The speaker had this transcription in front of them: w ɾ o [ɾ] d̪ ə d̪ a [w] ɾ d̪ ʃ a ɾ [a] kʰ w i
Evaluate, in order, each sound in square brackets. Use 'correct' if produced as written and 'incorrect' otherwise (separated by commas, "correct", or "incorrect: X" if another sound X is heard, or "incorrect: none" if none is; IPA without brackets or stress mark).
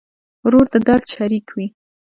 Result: correct, incorrect: none, incorrect: i